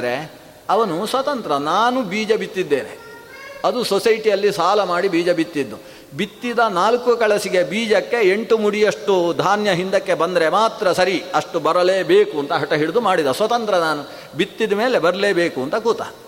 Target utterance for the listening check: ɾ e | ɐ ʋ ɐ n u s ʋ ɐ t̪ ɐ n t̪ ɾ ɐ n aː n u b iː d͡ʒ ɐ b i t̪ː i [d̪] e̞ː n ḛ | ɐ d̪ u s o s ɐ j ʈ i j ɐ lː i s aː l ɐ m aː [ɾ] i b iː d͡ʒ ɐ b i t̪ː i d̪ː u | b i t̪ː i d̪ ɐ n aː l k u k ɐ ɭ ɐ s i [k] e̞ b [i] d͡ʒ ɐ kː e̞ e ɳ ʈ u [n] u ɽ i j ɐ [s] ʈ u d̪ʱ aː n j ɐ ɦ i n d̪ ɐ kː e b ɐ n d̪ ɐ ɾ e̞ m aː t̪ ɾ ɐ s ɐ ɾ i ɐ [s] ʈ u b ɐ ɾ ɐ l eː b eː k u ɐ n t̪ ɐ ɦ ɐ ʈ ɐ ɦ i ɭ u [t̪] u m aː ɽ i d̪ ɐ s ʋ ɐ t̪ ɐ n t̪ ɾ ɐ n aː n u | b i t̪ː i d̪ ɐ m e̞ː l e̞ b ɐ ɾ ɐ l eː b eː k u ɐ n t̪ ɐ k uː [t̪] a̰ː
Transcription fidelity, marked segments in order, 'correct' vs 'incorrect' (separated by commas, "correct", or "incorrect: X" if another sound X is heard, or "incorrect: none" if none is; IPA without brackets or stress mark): incorrect: d̪ː, incorrect: ɽ, incorrect: ɡ, incorrect: iː, incorrect: m, incorrect: ʂ, incorrect: ʂ, incorrect: d̪, correct